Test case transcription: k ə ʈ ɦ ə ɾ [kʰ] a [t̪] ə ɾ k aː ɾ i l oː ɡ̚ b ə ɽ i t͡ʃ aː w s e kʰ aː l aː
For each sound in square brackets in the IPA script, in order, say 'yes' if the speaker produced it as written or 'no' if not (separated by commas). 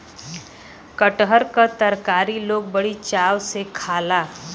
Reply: no, yes